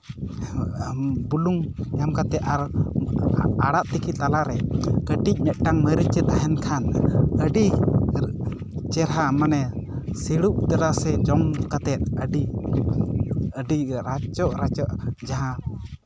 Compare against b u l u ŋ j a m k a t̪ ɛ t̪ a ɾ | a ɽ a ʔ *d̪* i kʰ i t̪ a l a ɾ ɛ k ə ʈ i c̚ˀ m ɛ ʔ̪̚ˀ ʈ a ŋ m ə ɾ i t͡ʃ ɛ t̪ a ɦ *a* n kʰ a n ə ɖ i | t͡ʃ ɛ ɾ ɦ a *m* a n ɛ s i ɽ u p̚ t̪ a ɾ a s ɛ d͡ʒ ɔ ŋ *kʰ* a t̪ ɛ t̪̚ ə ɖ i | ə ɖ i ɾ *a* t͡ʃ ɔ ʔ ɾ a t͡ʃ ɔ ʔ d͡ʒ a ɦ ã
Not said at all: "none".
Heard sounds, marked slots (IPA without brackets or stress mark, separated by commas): t̪, ɛ, m, k, a